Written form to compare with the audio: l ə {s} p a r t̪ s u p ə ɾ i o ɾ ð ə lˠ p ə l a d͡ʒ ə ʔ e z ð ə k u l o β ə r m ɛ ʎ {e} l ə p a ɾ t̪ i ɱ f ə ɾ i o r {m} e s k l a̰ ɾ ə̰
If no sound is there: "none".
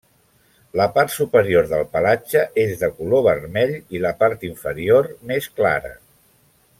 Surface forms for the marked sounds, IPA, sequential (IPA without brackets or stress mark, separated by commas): none, i, m